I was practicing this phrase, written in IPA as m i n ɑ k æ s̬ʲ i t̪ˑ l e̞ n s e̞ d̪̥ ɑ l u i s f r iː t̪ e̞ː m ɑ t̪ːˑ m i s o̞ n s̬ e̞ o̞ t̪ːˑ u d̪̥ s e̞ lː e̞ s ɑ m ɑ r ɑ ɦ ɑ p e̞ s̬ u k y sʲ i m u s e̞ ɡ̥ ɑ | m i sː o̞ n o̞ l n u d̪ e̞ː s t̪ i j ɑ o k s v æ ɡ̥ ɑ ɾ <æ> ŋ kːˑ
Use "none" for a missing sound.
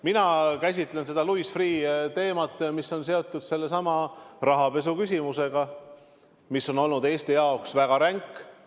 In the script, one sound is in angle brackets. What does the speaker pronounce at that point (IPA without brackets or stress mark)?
æ